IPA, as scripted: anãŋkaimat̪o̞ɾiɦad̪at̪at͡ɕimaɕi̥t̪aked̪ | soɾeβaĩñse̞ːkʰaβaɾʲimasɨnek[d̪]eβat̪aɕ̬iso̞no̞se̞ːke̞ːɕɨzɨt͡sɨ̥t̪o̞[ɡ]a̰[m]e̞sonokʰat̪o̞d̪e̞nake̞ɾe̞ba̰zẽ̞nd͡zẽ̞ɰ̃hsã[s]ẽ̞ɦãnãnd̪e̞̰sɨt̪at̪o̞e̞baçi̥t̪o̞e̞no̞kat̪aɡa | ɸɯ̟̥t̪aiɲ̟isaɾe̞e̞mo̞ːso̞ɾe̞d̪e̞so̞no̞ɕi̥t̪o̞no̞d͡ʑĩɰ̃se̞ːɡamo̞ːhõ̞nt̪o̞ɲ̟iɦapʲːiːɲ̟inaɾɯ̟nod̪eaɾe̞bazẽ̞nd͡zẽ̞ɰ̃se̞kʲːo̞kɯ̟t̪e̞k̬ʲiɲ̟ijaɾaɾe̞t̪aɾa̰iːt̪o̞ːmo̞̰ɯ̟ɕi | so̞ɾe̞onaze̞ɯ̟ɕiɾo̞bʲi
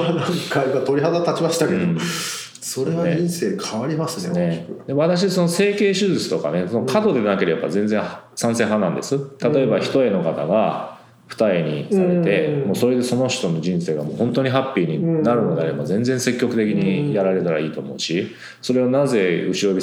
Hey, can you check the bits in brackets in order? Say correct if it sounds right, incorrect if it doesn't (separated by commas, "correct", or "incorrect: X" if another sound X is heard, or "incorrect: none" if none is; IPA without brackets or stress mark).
correct, incorrect: k, incorrect: n, correct